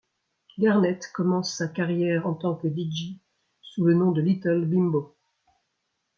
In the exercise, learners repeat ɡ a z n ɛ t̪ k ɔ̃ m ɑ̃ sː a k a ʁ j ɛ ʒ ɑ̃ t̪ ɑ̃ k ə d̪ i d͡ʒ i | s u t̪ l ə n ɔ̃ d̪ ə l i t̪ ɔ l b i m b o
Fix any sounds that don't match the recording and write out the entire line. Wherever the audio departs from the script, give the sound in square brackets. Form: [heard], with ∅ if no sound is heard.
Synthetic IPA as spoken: ɡ a [ʁ] n ɛ t̪ k [ɔ] m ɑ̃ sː a k a ʁ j ɛ [ʁ] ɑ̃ t̪ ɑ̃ k ə d̪ i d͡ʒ i | s u [∅] l ə n ɔ̃ d̪ ə l i t̪ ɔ l b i m b o